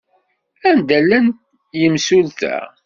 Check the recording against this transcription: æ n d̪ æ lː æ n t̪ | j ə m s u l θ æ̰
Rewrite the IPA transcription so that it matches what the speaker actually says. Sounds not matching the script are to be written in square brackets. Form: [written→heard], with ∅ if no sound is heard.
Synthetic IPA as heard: æ n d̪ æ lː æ n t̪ | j ə m s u l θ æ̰